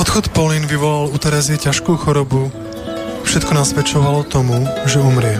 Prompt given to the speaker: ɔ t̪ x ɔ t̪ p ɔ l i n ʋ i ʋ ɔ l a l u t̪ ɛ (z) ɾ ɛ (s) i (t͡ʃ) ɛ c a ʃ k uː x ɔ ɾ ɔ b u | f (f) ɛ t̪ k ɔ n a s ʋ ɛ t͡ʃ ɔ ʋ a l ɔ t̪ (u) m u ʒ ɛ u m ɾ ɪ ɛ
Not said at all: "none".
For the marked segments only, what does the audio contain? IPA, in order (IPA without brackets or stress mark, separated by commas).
none, z, none, ʃ, ɔ